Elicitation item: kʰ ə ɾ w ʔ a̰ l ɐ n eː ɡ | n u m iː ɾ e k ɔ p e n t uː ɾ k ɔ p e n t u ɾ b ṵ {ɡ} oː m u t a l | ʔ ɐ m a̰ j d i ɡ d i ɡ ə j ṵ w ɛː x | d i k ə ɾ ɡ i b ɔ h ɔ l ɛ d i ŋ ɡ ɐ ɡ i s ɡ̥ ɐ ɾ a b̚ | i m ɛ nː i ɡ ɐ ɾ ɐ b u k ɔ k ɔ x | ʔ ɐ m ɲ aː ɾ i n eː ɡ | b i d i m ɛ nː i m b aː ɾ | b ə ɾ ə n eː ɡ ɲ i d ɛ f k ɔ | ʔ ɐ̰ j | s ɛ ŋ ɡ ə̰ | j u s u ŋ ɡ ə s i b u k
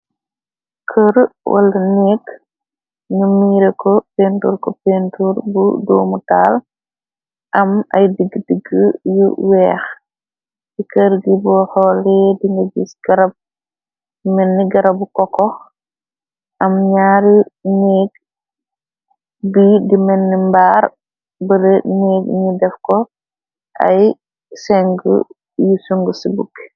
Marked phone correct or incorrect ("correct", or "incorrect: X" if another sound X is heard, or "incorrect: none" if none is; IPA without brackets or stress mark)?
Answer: incorrect: d